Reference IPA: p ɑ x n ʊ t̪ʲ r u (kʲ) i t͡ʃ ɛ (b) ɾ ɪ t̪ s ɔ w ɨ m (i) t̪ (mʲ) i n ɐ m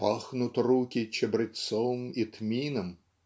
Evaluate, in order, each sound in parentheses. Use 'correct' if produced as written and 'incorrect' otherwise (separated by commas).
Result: correct, correct, correct, correct